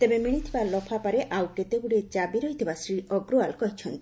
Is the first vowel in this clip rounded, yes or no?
no